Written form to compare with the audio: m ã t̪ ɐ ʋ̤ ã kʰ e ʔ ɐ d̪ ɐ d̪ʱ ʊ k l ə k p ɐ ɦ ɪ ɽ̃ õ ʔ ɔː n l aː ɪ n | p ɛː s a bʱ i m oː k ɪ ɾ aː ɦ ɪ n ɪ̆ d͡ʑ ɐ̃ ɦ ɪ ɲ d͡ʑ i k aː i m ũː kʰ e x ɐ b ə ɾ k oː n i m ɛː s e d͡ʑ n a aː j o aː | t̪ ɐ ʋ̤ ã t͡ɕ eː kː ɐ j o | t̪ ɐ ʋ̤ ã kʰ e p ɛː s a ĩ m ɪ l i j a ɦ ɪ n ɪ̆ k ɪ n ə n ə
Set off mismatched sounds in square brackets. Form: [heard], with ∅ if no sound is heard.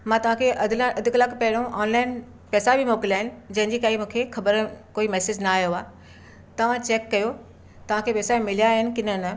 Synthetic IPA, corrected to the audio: m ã t̪ ɐ ʋ̤ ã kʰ e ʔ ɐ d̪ ɐ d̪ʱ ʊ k l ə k p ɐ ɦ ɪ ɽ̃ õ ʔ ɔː n l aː ɪ n | p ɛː s a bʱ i m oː k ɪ [l] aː ɦ ɪ n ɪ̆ d͡ʑ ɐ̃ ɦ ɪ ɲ d͡ʑ i k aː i m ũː kʰ e x ɐ b ə ɾ k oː [∅] i m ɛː s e d͡ʑ n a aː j o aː | t̪ ɐ ʋ̤ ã t͡ɕ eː kː ɐ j o | t̪ ɐ ʋ̤ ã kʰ e p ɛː s a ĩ m ɪ l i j a ɦ ɪ n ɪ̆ k ɪ n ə n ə